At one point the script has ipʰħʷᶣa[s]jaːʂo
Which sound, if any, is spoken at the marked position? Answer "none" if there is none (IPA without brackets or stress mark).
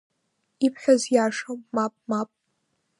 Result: z